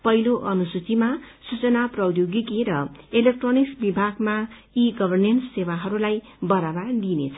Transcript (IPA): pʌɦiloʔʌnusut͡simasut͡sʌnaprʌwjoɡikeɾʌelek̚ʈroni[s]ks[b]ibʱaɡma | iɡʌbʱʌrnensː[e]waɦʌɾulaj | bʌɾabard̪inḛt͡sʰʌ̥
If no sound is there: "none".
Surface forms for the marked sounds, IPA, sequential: none, b, e

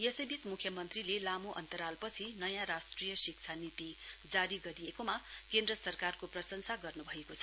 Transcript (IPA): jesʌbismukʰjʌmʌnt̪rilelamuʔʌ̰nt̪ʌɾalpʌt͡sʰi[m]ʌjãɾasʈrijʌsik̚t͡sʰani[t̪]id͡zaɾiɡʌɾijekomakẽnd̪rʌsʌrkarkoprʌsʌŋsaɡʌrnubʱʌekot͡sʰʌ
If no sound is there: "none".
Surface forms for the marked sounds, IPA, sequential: n, t̪

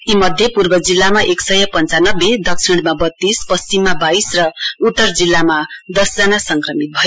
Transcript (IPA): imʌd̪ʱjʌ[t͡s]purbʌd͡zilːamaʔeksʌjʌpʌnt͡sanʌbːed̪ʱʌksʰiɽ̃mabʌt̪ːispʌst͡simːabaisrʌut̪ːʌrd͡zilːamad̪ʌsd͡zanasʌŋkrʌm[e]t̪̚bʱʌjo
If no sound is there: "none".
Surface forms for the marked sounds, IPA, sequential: none, i

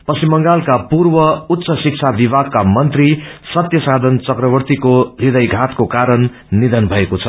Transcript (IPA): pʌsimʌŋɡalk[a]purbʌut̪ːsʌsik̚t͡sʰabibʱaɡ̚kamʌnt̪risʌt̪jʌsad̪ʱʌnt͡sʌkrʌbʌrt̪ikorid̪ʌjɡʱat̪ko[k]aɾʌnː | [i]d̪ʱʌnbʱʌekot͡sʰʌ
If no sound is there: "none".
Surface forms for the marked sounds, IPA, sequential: a, k, i

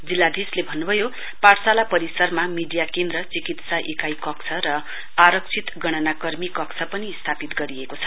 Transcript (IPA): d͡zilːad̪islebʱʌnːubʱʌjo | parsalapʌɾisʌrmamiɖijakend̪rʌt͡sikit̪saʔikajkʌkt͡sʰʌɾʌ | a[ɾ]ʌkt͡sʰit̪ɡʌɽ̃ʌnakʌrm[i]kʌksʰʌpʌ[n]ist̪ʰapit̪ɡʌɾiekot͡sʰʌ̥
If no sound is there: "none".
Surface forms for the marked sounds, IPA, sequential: ɾ, i, n

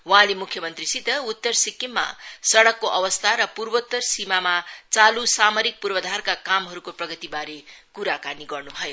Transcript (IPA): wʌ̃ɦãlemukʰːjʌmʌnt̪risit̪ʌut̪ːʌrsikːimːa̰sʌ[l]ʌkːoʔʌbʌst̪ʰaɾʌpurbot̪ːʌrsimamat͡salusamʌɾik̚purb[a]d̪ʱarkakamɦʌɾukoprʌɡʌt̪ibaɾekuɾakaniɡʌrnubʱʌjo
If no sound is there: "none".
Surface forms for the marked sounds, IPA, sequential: ɽ, ʌ

